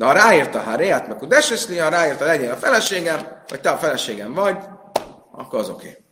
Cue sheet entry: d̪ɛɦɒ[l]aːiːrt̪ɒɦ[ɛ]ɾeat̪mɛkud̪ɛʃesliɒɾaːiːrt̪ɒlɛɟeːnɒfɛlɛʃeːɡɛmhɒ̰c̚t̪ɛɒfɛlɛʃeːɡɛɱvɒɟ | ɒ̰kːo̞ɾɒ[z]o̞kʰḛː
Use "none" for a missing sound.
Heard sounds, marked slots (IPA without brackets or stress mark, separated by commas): ɾ, a, z